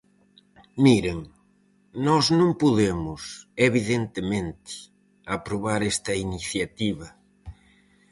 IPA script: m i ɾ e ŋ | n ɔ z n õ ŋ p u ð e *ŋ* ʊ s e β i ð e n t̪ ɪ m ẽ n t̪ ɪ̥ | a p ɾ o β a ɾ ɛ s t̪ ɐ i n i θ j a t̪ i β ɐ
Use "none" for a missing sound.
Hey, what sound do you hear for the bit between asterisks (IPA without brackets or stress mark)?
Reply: m